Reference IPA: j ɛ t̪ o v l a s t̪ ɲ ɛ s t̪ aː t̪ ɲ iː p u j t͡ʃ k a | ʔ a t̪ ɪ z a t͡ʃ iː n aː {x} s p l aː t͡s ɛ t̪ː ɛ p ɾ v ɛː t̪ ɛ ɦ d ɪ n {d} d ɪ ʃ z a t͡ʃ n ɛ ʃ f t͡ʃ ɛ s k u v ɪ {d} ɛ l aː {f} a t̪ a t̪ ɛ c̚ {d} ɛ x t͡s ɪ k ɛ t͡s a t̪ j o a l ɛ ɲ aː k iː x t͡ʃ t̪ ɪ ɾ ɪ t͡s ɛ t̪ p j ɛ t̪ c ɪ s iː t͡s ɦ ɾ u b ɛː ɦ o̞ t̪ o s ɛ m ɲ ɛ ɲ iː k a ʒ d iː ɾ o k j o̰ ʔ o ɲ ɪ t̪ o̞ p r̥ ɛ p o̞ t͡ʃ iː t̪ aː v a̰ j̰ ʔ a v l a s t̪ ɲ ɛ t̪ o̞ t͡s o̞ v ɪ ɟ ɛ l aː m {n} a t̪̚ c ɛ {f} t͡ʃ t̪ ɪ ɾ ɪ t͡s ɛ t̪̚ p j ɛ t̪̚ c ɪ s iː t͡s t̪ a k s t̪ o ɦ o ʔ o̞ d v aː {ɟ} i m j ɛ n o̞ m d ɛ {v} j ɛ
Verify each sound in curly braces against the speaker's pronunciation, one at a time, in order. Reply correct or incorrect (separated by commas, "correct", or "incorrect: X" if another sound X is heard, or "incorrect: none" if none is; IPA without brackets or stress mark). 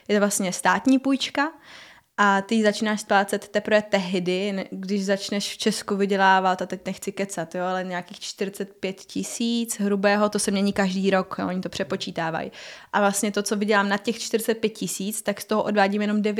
incorrect: ʃ, incorrect: ɡ, incorrect: ɟ, incorrect: v, incorrect: n, correct, incorrect: x, correct, correct